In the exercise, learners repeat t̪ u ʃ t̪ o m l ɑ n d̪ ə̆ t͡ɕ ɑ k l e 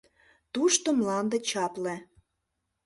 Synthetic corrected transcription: t̪ u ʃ t̪ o m l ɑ n d̪ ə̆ t͡ɕ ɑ p l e